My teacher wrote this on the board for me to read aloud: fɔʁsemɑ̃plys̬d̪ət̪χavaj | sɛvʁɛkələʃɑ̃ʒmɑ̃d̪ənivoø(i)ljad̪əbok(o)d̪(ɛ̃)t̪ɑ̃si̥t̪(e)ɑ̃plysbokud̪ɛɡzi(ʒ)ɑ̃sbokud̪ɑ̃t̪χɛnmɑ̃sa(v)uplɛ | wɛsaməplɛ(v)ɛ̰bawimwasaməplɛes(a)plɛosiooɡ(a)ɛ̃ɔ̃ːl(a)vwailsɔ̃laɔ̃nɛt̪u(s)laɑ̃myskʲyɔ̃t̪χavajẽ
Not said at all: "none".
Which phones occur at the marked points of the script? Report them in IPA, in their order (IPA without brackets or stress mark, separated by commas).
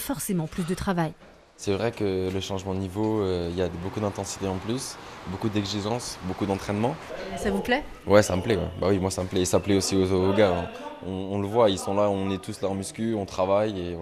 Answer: i, u, ɛ̃, e, ʒ, v, w, a, a, ə, s